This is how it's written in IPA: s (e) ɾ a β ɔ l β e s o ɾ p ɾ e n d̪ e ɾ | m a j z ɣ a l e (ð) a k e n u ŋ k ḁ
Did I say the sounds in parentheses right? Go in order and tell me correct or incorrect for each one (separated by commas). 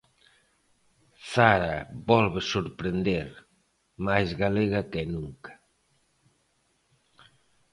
incorrect, incorrect